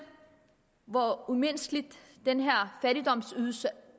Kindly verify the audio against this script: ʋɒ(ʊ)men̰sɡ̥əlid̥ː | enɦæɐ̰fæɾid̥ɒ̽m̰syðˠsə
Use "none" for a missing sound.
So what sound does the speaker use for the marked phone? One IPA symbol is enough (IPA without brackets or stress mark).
u